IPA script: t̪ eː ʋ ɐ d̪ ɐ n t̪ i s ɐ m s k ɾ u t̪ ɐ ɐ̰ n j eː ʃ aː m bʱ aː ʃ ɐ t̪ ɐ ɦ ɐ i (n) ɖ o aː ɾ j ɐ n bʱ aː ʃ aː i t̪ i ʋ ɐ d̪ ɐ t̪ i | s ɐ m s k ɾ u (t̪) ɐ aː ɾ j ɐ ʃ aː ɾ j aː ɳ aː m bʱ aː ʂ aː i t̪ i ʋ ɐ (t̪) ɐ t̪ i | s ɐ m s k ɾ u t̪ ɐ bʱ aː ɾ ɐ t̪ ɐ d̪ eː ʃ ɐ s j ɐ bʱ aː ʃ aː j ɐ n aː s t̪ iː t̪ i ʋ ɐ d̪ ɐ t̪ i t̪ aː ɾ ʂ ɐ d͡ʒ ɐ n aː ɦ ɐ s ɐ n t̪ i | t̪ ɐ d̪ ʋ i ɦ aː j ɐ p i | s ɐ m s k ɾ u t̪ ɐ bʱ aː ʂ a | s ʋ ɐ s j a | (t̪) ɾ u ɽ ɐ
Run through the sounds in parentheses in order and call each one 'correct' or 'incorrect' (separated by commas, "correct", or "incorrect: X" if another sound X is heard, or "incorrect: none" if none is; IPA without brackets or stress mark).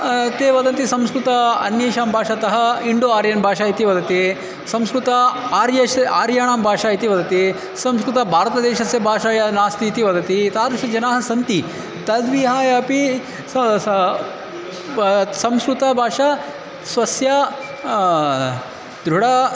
incorrect: ɳ, correct, incorrect: d̪, incorrect: d̪